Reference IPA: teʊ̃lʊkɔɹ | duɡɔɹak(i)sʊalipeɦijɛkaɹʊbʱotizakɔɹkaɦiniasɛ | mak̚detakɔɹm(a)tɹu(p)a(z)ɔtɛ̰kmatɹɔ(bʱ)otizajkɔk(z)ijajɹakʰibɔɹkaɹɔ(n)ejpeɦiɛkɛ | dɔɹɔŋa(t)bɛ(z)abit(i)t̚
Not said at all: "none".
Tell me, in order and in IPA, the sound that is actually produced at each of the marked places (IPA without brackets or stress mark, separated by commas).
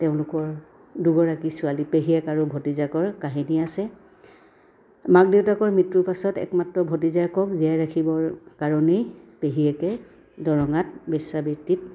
i, i, p, s, bʱ, z, n, t, s, i